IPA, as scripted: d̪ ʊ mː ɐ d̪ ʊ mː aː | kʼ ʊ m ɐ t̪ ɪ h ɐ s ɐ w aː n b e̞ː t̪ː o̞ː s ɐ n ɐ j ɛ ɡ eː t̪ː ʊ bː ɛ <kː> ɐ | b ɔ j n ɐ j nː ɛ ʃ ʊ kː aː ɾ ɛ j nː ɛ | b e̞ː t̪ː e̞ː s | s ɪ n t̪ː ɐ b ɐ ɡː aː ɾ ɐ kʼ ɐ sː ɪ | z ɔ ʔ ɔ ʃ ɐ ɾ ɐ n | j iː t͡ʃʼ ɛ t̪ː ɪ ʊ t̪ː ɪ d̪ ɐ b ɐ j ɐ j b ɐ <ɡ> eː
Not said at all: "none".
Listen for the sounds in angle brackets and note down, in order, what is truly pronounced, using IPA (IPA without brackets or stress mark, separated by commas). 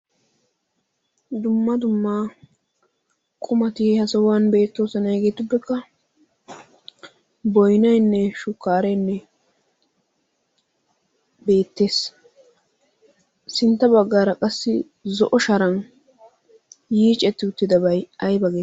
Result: kː, ɡ